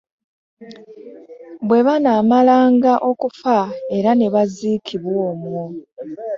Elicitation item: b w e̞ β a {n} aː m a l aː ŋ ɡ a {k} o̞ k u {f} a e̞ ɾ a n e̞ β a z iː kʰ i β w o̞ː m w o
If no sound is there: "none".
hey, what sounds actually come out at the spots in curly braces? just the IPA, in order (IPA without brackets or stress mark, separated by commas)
n, ʔ, f